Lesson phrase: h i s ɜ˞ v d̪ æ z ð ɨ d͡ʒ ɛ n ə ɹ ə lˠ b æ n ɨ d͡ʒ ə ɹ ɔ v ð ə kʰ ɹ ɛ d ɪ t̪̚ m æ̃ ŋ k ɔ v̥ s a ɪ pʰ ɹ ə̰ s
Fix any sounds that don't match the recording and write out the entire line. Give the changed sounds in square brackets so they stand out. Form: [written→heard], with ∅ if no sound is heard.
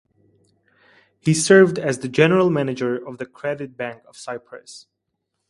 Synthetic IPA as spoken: h i s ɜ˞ v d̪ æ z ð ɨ d͡ʒ ɛ n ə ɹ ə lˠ [b→m] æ n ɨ d͡ʒ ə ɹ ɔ v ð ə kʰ ɹ ɛ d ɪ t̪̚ [m→b] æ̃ ŋ k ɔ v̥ s a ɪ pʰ ɹ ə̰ s